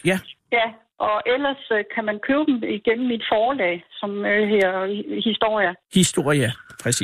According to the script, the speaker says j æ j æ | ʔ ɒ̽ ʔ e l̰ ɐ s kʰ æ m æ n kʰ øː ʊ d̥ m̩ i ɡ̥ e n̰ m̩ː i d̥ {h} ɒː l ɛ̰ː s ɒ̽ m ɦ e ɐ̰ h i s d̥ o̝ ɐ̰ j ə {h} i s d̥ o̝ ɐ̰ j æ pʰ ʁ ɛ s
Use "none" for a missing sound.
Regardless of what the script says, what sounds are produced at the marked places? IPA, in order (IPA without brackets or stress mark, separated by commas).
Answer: f, h